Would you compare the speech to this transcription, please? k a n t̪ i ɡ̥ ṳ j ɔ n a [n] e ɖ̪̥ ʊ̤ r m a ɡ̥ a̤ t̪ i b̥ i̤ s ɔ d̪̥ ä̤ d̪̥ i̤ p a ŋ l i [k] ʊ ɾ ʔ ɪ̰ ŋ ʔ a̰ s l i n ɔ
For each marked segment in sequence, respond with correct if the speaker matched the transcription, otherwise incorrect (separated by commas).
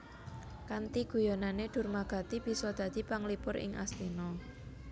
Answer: correct, incorrect